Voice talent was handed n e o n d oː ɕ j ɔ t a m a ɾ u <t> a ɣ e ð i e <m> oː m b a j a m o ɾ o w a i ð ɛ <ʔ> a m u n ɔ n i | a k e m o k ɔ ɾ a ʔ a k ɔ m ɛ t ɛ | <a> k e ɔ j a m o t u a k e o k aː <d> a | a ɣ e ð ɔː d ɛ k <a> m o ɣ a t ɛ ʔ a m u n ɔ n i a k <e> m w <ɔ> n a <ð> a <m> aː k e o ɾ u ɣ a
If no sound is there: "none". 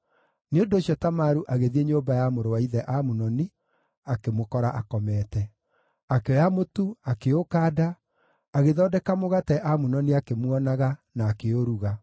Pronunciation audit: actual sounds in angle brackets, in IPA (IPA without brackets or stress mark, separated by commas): ʔ, ɲ, ʔ, a, d, a, e, ɔ, ɣ, n